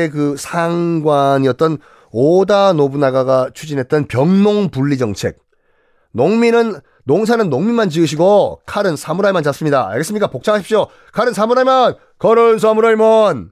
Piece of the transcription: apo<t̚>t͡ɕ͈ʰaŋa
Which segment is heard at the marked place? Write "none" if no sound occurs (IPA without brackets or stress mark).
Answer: k̚